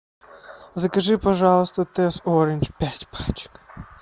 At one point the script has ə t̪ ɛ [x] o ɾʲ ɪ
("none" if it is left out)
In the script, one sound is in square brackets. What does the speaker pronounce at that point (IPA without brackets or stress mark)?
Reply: s